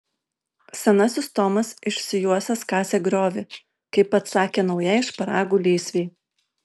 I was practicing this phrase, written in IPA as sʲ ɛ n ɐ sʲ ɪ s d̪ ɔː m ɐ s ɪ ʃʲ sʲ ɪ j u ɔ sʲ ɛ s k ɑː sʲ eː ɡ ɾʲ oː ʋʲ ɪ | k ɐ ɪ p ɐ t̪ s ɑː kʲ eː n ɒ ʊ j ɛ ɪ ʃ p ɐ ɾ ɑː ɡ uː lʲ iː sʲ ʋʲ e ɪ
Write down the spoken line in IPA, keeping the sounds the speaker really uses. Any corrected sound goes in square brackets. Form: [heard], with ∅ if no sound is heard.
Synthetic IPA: sʲ ɛ n ɐ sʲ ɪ s [t̪] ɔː m ɐ s ɪ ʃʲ sʲ ɪ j u ɔ sʲ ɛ s k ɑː sʲ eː ɡ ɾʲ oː ʋʲ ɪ | k ɐ ɪ p ɐ t̪ s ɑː kʲ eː n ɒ ʊ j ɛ ɪ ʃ p ɐ ɾ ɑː ɡ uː lʲ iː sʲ ʋʲ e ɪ

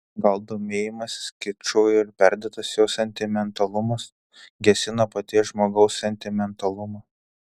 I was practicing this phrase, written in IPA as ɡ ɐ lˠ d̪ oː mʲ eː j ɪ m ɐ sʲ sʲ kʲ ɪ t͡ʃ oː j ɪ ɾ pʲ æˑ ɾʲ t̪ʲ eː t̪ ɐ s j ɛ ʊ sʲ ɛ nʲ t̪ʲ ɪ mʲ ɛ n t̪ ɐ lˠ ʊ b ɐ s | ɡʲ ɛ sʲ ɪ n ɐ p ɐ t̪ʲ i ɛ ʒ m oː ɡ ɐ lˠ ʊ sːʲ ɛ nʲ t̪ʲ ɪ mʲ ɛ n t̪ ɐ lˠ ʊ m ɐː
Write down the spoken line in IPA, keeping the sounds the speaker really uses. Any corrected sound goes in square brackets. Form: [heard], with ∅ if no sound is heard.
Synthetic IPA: ɡ ɐ lˠ d̪ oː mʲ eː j ɪ m ɐ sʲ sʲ kʲ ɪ t͡ʃ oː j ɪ ɾ pʲ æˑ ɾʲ [d̪ʲ] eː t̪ ɐ s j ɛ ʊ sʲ ɛ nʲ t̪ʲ ɪ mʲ ɛ n t̪ ɐ lˠ ʊ [m] ɐ s | ɡʲ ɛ sʲ ɪ n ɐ p ɐ t̪ʲ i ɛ ʒ m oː ɡ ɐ [∅] ʊ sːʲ ɛ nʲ t̪ʲ ɪ mʲ ɛ n t̪ ɐ lˠ ʊ m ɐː

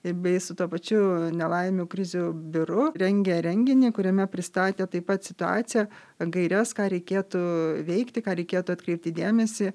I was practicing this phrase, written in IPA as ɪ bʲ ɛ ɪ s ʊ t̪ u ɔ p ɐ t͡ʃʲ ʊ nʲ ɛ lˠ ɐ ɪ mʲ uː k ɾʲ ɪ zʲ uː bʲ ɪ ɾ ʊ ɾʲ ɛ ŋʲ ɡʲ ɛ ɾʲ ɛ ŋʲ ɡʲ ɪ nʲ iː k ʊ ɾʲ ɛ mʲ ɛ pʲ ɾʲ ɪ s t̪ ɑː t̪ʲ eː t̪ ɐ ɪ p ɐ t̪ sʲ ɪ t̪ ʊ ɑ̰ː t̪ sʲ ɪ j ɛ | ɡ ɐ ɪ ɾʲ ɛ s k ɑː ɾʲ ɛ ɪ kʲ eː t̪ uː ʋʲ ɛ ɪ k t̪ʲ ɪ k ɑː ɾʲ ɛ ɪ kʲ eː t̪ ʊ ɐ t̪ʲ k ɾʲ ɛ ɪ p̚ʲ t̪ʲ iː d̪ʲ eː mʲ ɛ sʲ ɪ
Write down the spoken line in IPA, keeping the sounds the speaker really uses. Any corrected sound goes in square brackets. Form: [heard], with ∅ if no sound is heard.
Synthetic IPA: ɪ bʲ ɛ ɪ s ʊ t̪ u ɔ p ɐ t͡ʃʲ ʊ nʲ ɛ lˠ ɐ ɪ mʲ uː k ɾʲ ɪ zʲ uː bʲ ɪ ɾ ʊ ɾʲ ɛ ŋʲ ɡʲ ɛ ɾʲ ɛ ŋʲ ɡʲ ɪ nʲ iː k ʊ ɾʲ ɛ mʲ ɛ pʲ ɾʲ ɪ s t̪ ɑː t̪ʲ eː t̪ ɐ ɪ p ɐ t̪ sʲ ɪ t̪ ʊ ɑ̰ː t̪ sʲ ɪ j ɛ | ɡ ɐ ɪ ɾʲ ɛ s k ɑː ɾʲ ɛ ɪ kʲ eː t̪ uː ʋʲ ɛ ɪ k t̪ʲ ɪ k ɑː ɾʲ ɛ ɪ kʲ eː t̪ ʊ ɐ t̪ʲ k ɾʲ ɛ ɪ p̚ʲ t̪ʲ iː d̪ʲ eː mʲ ɛ sʲ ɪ

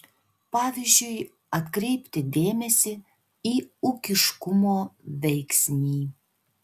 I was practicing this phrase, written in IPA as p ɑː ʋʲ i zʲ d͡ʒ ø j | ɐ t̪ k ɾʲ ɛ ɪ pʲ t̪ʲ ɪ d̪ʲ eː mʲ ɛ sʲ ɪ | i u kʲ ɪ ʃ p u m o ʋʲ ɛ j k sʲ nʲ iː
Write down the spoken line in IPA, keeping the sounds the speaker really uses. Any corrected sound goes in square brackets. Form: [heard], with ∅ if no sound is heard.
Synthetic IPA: p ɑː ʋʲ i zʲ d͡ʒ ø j | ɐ t̪ k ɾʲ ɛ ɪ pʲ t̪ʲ ɪ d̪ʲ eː mʲ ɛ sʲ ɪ | i u kʲ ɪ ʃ [k] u m o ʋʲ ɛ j k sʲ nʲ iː

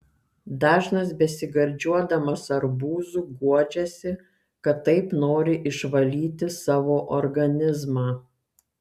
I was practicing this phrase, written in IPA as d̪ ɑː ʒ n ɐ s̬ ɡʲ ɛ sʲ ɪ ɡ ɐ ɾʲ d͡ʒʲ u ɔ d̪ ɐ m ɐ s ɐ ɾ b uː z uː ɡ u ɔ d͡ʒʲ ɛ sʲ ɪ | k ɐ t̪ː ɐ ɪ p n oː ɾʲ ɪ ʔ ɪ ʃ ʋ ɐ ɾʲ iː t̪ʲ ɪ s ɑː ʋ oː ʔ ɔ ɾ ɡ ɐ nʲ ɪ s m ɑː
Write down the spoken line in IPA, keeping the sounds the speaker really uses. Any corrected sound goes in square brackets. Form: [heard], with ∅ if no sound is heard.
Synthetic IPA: d̪ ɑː ʒ n ɐ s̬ [bʲ] ɛ sʲ ɪ ɡ ɐ ɾʲ d͡ʒʲ u ɔ d̪ ɐ m ɐ s ɐ ɾ b uː z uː ɡ u ɔ d͡ʒʲ ɛ sʲ ɪ | k ɐ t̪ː ɐ ɪ p n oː ɾʲ ɪ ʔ ɪ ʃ ʋ ɐ [lʲ] iː t̪ʲ ɪ s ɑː ʋ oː ʔ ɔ ɾ ɡ ɐ nʲ ɪ [z] m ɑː

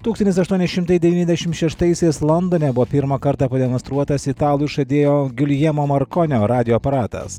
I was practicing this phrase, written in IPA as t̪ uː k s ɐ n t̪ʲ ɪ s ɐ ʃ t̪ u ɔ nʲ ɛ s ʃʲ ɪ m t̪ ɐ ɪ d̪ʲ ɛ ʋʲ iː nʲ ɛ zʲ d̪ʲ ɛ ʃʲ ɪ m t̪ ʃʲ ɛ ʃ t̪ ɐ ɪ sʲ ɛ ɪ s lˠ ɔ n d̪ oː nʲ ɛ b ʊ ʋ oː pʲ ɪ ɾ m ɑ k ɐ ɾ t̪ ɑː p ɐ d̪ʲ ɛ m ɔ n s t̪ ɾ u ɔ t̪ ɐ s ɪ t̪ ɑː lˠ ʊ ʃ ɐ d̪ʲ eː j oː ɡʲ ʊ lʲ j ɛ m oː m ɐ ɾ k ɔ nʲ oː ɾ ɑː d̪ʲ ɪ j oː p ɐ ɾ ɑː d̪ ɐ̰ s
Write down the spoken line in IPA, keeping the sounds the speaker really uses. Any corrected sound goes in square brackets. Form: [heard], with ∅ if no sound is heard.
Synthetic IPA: t̪ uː k s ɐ n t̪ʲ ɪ s ɐ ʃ t̪ u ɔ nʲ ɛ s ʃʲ ɪ m t̪ ɐ ɪ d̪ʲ ɛ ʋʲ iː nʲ ɛ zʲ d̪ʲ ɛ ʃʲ ɪ m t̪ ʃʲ ɛ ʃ t̪ ɐ ɪ sʲ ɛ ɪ s lˠ ɔ n d̪ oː nʲ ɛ b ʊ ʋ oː pʲ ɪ ɾ m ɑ k ɐ ɾ t̪ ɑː p ɐ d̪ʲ ɛ m ɔ n s t̪ ɾ u ɔ t̪ ɐ s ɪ t̪ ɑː lˠ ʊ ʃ ɐ d̪ʲ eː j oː ɡʲ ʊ lʲ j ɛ m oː m ɐ ɾ k ɔ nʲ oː ɾ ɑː d̪ʲ ɪ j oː p ɐ ɾ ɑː [t̪] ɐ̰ s

